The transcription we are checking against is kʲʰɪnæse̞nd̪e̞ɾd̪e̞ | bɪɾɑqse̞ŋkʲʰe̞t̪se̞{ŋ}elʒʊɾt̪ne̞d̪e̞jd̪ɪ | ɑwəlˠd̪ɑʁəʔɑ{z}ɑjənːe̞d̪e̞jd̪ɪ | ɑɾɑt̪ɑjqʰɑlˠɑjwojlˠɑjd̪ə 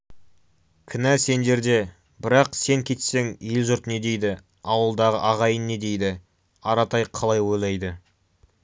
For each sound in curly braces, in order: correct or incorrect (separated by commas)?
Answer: correct, incorrect